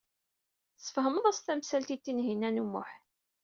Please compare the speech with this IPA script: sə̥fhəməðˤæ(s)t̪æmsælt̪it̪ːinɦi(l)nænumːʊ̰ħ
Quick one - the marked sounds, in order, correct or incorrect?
correct, incorrect: none

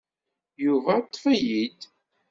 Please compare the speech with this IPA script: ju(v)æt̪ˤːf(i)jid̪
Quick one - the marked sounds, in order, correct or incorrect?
correct, incorrect: æ

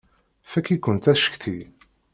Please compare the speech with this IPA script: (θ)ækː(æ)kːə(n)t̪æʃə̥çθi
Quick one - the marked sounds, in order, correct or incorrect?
incorrect: f, incorrect: i, correct

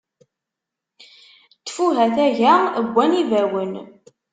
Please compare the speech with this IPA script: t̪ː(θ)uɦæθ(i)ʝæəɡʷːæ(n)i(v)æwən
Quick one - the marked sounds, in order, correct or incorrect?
incorrect: f, incorrect: æ, correct, correct

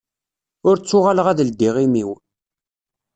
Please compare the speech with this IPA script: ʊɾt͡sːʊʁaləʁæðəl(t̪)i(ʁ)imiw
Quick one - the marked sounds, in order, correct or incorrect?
incorrect: d̪, correct

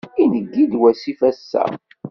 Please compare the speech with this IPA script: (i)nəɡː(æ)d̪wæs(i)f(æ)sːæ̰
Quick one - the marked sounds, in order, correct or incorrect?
correct, incorrect: i, correct, correct

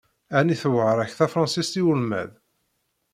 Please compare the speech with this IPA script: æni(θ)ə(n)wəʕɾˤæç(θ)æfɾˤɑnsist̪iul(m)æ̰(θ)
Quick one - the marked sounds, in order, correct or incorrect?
correct, incorrect: none, correct, correct, incorrect: ð

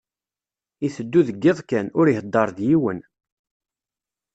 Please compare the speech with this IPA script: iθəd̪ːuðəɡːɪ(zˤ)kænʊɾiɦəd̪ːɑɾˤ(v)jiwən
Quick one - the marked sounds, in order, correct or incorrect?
incorrect: ðˤ, incorrect: ð

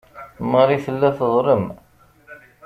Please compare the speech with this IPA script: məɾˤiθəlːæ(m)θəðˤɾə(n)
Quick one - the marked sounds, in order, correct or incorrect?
incorrect: none, incorrect: m

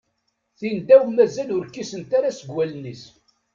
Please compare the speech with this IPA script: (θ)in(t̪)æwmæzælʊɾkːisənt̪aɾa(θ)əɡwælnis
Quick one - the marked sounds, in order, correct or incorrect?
correct, incorrect: d̪, incorrect: s

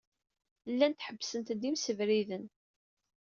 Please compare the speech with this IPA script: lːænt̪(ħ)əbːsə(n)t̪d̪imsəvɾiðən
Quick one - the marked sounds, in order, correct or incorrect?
correct, correct

